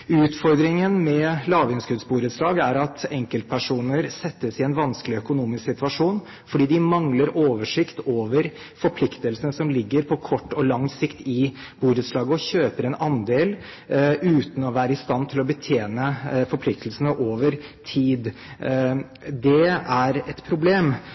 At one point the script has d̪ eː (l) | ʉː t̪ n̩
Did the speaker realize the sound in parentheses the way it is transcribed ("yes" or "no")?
yes